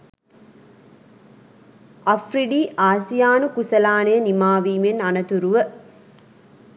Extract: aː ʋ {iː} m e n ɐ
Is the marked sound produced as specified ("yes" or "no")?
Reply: yes